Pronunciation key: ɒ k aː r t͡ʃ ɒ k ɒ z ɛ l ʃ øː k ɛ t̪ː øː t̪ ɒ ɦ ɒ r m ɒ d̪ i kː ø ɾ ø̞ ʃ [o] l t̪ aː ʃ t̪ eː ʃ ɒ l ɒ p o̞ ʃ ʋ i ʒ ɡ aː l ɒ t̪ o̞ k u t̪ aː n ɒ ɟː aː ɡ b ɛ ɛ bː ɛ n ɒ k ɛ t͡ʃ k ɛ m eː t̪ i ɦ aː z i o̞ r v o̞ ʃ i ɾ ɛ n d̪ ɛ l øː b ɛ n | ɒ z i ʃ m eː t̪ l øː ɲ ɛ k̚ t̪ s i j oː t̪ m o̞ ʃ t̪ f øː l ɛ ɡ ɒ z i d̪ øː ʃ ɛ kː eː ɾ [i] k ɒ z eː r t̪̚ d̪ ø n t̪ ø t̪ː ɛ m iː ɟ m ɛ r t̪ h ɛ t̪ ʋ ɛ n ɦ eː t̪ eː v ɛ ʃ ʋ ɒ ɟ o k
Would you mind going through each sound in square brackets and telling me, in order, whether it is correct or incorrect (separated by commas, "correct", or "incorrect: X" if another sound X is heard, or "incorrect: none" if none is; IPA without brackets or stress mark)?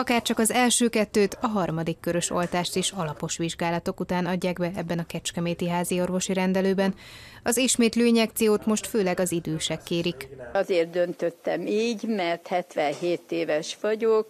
correct, correct